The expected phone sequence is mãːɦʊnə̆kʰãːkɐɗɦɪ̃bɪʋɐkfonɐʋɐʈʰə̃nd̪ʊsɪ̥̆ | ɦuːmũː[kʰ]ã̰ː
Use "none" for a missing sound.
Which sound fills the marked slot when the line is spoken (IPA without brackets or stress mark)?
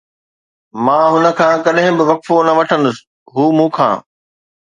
kʰ